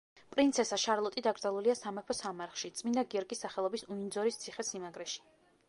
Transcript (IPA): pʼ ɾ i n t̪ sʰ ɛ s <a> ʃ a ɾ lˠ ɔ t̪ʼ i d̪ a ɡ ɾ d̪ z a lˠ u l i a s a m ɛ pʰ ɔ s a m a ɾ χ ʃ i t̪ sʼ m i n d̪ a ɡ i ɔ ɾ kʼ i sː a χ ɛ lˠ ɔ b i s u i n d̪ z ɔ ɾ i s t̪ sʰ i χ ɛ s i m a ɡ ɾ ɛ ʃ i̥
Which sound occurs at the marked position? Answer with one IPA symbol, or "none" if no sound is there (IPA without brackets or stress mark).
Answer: a